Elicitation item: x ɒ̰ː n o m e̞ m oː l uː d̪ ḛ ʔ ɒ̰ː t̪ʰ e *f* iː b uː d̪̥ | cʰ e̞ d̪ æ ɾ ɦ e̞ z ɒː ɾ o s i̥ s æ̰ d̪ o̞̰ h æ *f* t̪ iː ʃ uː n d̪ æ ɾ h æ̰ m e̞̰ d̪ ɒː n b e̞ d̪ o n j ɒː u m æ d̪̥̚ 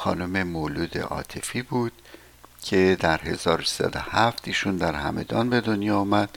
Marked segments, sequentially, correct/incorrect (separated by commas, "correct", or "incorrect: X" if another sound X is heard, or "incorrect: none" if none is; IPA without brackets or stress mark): correct, correct